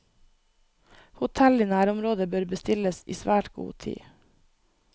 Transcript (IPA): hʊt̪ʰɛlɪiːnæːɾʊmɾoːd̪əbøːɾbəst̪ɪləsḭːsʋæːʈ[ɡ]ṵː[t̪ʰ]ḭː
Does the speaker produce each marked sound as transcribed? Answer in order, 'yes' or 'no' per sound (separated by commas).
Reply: yes, yes